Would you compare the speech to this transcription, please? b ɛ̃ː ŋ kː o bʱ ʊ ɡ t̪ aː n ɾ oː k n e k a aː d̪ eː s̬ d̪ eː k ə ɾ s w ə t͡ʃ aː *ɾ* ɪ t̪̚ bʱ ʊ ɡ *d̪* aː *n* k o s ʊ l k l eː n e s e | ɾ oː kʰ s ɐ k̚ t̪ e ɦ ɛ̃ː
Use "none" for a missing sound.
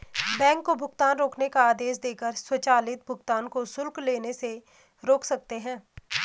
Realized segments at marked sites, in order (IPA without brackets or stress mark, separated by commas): l, t̪, n